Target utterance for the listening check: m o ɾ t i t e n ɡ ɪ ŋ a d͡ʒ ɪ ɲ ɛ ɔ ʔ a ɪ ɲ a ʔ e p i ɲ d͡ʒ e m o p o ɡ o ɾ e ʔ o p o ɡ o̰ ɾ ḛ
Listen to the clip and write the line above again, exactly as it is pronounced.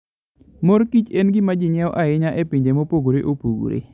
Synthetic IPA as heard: m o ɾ k i t͡ʃ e n ɡ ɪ m a d͡ʒ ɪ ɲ ɛ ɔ ʔ a ɪ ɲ a ʔ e p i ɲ d͡ʒ e m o p o ɡ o ɾ e ʔ o p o ɡ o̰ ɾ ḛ